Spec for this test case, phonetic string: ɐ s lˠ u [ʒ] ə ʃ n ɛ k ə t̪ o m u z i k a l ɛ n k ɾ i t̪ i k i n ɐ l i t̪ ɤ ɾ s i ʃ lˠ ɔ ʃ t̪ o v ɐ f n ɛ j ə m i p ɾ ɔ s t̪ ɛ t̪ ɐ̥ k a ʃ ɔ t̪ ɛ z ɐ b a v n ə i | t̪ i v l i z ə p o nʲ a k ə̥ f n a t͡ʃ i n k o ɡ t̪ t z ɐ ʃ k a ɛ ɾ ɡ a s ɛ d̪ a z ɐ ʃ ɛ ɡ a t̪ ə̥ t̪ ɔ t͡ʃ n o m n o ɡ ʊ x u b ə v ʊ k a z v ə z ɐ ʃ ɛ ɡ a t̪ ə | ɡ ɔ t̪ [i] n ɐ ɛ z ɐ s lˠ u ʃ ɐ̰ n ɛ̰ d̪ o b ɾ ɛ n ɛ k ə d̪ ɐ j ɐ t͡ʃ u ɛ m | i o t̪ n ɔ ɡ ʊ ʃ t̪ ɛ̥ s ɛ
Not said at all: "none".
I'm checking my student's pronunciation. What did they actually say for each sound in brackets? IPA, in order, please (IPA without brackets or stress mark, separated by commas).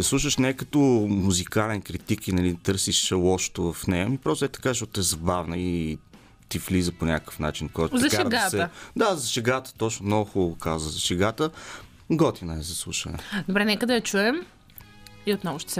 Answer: ʃ, i